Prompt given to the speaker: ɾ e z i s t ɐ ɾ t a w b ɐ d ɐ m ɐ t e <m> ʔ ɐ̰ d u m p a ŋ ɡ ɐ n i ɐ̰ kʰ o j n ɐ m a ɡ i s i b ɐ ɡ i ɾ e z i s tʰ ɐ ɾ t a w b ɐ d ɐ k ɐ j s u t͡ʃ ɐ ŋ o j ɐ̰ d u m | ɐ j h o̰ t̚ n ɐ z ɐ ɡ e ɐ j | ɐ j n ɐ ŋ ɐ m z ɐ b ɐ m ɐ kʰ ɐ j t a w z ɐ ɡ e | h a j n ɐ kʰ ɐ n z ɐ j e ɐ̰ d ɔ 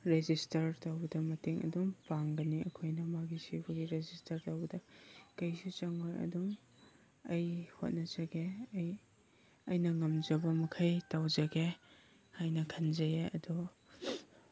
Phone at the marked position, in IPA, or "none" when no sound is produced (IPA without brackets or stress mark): ŋ